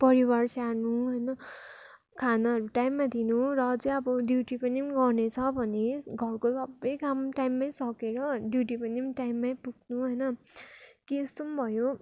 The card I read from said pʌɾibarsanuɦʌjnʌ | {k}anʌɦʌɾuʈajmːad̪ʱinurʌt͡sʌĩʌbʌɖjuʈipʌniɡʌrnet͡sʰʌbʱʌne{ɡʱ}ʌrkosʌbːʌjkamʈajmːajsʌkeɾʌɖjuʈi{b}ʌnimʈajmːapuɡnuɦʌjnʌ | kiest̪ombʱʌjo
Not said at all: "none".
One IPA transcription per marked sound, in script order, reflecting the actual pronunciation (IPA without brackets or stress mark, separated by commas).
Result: kʰ, ɡʱ, p